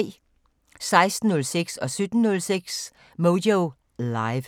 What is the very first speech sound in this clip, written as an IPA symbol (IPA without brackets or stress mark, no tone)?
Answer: s